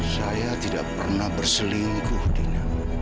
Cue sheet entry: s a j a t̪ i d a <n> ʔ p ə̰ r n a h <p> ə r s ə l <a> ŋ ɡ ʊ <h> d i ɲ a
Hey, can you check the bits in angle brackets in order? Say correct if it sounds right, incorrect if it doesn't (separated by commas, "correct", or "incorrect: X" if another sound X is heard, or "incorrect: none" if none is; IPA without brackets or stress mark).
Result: incorrect: none, incorrect: b, incorrect: i, correct